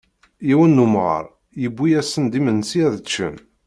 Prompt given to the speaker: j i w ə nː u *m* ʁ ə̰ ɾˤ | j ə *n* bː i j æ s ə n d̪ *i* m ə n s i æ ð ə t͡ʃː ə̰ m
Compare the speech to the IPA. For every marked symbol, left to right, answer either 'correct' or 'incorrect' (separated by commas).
correct, incorrect, correct